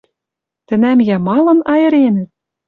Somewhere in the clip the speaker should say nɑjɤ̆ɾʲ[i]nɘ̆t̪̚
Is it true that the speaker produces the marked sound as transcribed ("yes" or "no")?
no